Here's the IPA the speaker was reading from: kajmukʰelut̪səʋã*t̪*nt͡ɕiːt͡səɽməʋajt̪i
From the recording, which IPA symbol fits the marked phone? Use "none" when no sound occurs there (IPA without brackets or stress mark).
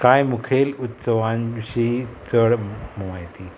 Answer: none